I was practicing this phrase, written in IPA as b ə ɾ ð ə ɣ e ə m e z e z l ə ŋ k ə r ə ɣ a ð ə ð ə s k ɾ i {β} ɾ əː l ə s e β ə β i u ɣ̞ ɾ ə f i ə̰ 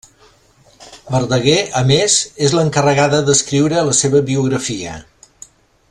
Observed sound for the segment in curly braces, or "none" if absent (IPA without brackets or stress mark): w